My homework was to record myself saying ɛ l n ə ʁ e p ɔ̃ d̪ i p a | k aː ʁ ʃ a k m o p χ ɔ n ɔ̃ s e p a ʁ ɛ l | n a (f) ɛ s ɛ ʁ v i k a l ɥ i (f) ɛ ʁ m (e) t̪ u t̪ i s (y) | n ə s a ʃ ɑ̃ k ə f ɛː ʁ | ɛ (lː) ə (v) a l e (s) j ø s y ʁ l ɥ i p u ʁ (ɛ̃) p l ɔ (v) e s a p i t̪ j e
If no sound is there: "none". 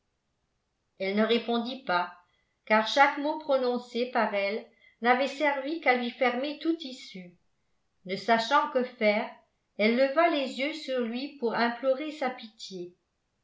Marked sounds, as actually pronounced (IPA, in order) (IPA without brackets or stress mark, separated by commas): v, f, e, y, lː, v, z, ɛ̃, ʁ